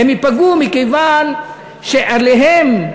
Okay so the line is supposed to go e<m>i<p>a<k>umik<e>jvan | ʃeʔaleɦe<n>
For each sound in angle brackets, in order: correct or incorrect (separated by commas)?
correct, correct, incorrect, correct, incorrect